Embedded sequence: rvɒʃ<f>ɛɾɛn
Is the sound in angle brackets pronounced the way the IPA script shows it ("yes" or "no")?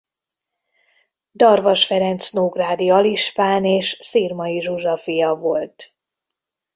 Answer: yes